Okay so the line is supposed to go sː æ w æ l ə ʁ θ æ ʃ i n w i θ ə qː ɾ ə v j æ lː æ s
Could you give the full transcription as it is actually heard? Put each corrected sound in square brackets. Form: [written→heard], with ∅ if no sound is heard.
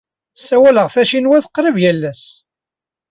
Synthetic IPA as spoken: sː æ w æ l ə ʁ θ æ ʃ i n w [i→æ] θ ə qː ɾ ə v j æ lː æ s